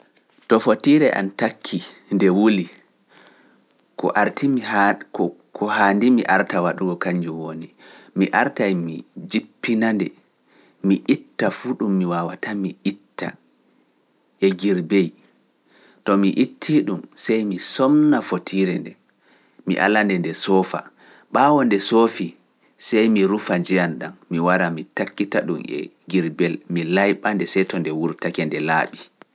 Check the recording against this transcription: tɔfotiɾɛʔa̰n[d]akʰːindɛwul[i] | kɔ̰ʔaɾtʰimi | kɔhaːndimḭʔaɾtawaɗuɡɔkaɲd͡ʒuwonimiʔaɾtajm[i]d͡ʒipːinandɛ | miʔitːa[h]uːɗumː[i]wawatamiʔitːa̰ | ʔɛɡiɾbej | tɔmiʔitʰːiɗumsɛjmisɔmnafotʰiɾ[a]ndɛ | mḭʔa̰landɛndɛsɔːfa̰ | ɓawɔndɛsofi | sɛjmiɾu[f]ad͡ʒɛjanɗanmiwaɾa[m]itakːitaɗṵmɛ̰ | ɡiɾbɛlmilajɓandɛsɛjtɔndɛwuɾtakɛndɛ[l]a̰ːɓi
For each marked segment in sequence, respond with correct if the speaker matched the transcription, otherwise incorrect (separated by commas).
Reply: incorrect, correct, correct, incorrect, correct, incorrect, correct, correct, correct